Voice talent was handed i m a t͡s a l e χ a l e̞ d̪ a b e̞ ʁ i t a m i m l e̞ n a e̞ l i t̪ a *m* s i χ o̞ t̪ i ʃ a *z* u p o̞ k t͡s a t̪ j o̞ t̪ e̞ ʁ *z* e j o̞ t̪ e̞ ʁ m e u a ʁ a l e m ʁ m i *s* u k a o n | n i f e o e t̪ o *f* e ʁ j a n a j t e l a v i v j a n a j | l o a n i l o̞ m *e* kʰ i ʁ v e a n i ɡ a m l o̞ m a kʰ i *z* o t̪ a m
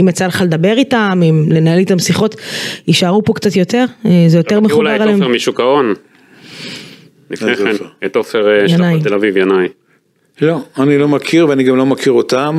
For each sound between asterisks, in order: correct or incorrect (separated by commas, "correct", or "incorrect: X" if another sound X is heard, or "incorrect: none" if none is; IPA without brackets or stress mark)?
correct, incorrect: ʁ, correct, incorrect: ʃ, correct, incorrect: a, incorrect: ʁ